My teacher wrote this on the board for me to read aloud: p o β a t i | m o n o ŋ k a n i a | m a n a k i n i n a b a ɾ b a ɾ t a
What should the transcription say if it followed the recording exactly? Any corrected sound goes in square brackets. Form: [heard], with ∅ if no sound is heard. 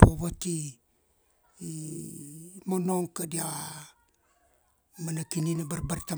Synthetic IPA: p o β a t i | m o n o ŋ k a [d] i a | m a n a k i n i n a b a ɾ b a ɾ t a